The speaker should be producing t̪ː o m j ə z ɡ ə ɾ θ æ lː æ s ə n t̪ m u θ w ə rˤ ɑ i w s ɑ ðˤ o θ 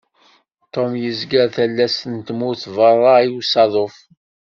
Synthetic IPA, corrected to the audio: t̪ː o m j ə z ɡ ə ɾ θ æ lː æ s ə n t̪ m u θ v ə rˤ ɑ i w s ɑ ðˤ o f